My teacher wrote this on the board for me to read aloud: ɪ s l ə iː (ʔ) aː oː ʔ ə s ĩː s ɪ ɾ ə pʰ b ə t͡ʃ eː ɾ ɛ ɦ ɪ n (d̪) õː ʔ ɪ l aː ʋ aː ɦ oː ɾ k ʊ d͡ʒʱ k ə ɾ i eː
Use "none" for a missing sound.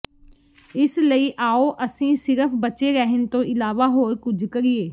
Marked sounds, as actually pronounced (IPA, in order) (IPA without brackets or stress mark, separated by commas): ʔ, t̪